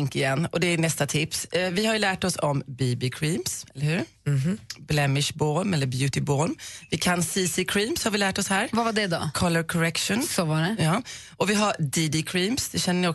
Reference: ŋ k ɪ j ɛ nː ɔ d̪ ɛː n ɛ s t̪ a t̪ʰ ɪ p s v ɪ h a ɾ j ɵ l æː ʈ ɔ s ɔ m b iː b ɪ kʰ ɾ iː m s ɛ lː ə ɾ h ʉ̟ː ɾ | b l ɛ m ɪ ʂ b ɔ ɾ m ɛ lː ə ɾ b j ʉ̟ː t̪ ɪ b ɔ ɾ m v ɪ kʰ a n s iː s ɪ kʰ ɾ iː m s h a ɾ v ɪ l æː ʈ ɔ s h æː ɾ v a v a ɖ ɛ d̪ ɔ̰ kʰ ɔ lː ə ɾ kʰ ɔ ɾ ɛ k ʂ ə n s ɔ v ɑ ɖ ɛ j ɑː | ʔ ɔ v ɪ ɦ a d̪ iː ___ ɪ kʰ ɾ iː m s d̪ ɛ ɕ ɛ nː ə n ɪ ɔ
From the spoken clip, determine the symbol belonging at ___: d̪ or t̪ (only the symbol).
d̪